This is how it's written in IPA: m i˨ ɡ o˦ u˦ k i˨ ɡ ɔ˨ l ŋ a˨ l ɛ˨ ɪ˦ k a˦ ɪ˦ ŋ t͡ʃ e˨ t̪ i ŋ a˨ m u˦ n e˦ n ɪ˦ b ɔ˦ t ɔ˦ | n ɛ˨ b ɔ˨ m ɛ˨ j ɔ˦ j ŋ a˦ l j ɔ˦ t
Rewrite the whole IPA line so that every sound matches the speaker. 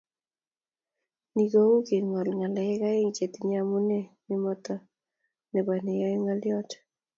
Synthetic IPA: n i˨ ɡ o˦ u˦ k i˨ ŋ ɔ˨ l ŋ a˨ l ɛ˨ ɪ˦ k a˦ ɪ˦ ŋ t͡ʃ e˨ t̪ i ɲ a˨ m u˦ n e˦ n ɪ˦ m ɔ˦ t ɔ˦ | n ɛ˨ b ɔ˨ n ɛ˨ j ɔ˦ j ŋ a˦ l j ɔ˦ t